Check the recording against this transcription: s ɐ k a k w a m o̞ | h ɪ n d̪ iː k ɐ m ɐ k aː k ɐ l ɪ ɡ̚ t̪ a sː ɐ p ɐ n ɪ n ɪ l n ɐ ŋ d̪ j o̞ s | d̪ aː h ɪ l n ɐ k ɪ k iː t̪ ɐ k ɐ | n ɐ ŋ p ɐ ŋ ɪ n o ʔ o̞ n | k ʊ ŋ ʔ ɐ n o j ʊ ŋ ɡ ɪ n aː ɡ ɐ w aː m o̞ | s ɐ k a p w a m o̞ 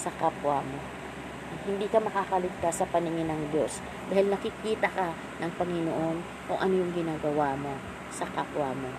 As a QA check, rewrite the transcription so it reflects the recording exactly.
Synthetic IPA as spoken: s ɐ k a p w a m o̞ | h ɪ n d̪ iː k ɐ m ɐ k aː k ɐ l ɪ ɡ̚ t̪ a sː ɐ p ɐ n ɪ ŋ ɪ n ɐ ŋ d̪ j o̞ s | d̪ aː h ɪ l n ɐ k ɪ k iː t̪ ɐ k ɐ | n ɐ ŋ p ɐ ŋ ɪ n o ʔ o̞ n | k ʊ ŋ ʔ ɐ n o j ʊ ŋ ɡ ɪ n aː ɡ ɐ w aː m o̞ | s ɐ k a p w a m o̞